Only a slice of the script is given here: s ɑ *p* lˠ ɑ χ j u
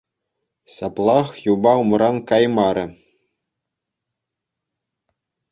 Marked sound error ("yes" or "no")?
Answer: no